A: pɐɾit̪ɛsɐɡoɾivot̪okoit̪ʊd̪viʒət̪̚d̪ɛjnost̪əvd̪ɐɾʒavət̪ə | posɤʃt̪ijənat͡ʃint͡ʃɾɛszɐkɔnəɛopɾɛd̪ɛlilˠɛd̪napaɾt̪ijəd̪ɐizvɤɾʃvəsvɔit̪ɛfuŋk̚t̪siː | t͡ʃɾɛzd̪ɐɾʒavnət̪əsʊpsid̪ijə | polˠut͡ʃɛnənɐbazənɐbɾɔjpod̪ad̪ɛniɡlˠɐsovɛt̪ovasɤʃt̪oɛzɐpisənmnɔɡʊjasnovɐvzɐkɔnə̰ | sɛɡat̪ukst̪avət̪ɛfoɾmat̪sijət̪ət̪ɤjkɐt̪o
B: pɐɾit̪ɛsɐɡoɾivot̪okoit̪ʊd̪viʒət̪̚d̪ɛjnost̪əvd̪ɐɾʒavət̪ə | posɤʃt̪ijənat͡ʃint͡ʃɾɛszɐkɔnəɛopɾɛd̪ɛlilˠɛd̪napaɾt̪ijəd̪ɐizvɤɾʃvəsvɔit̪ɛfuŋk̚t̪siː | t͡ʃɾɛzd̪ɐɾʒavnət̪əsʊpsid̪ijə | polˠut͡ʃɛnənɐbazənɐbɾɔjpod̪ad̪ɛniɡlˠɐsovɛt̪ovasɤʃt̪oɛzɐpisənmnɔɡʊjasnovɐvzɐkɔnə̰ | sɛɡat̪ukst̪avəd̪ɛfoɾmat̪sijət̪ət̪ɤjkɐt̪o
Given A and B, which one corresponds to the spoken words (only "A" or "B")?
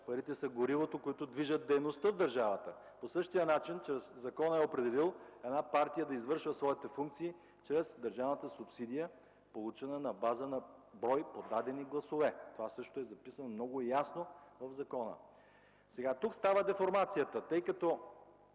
B